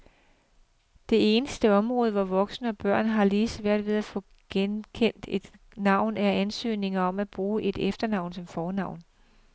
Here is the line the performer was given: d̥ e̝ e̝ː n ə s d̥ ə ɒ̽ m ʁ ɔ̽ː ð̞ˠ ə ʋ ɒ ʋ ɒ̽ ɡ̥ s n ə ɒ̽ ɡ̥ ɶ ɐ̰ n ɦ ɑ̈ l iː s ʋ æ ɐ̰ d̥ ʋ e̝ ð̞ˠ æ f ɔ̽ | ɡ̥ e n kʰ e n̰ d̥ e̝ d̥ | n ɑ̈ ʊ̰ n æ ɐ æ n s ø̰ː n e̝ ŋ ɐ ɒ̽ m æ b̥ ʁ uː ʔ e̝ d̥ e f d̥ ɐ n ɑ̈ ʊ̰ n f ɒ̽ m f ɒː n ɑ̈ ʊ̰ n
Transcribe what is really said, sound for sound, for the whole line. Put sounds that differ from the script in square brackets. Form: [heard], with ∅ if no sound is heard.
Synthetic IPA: d̥ e̝ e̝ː n ə s d̥ ə ɒ̽ m ʁ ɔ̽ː ð̞ˠ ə ʋ ɒ ʋ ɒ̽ ɡ̥ s n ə ɒ̽ [b̥] ɶ ɐ̰ n ɦ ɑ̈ l iː s ʋ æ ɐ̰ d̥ ʋ e̝ ð̞ˠ æ f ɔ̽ | ɡ̥ e n kʰ e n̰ d̥ e̝ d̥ | n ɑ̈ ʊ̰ n æ ɐ æ n s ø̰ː n e̝ ŋ ɐ ɒ̽ m æ b̥ ʁ uː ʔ e̝ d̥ e f d̥ ɐ n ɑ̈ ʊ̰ n [s] ɒ̽ m f ɒː n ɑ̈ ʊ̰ n